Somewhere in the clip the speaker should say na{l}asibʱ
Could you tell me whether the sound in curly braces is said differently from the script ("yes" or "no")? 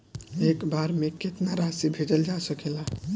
yes